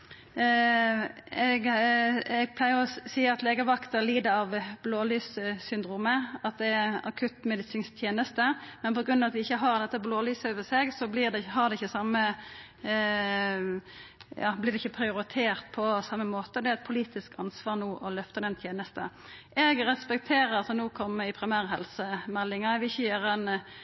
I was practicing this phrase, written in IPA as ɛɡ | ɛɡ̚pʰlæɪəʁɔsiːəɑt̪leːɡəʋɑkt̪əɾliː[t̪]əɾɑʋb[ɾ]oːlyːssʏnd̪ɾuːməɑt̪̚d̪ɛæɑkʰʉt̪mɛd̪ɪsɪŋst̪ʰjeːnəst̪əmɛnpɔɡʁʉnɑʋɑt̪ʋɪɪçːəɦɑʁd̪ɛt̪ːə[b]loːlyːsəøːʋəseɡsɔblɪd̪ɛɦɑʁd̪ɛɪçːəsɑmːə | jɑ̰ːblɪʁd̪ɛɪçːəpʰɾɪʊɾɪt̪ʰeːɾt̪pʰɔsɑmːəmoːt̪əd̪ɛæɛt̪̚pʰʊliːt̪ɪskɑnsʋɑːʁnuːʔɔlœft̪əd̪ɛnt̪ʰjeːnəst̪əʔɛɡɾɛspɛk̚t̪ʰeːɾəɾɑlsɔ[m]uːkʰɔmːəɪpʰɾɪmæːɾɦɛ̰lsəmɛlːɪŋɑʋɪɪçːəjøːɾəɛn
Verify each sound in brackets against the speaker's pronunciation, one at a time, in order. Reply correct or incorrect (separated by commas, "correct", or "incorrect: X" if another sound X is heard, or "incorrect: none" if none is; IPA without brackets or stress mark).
incorrect: d̪, incorrect: l, correct, incorrect: n